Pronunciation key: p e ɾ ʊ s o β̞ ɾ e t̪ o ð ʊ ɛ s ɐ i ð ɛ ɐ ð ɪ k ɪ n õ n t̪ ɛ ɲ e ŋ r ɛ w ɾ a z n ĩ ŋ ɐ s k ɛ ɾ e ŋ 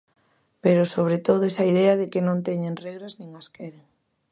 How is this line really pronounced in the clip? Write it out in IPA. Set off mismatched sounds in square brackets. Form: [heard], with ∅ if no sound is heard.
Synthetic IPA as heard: p e ɾ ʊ s o β̞ ɾ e t̪ o ð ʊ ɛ s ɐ i ð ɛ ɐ ð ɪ k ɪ n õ n t̪ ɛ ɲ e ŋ r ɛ [ɣ] ɾ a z n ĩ ŋ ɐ s k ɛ ɾ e ŋ